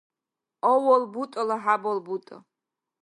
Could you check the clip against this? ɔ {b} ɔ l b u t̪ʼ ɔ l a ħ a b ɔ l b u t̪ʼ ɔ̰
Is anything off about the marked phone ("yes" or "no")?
yes